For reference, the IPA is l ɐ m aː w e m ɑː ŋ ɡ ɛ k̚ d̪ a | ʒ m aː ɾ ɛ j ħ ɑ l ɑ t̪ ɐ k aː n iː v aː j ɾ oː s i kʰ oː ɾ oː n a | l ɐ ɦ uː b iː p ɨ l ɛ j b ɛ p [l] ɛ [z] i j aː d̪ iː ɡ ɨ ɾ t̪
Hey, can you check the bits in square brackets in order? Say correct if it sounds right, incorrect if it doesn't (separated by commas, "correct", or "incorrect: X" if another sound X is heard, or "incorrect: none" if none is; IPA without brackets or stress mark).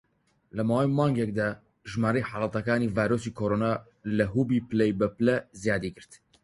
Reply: correct, correct